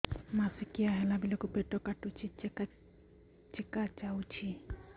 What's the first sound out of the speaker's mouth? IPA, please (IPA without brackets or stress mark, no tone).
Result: m